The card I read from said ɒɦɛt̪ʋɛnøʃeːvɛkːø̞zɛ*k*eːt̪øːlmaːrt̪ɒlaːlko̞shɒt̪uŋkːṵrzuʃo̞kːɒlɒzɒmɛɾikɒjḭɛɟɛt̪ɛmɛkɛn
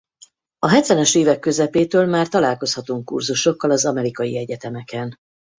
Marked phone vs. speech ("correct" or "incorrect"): incorrect